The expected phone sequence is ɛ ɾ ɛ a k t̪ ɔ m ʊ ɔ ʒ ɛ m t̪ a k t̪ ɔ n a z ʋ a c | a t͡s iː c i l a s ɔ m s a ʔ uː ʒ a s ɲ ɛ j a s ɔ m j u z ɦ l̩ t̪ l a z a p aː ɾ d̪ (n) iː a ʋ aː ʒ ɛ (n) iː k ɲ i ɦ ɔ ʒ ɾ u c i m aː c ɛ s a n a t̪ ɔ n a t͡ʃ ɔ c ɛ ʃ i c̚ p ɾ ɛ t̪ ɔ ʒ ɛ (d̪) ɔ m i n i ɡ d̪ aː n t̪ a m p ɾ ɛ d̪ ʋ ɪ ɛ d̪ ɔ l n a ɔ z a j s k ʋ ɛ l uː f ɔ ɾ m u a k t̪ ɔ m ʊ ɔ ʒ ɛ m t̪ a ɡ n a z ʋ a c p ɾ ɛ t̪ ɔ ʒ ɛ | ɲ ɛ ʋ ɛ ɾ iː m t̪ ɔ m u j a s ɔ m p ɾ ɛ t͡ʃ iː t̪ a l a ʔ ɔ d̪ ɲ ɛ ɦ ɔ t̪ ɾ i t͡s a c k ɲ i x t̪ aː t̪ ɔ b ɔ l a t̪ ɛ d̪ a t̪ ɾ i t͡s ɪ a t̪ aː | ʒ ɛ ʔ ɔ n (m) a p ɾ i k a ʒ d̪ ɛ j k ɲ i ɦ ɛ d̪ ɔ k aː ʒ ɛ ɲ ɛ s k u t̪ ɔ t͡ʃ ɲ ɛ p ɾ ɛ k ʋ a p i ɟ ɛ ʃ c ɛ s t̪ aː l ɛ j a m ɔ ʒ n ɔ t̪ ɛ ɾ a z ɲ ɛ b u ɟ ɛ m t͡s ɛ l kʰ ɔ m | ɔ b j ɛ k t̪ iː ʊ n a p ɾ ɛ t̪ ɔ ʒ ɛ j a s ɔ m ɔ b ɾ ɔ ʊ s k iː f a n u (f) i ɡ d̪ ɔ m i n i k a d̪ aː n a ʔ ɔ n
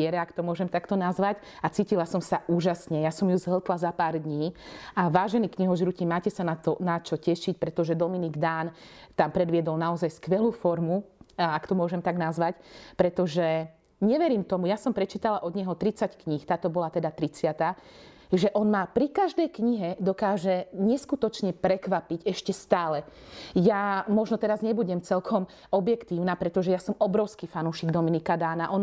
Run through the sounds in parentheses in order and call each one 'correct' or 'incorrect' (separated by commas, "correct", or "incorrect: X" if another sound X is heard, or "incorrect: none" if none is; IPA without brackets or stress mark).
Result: incorrect: ɲ, correct, correct, correct, incorrect: ʃ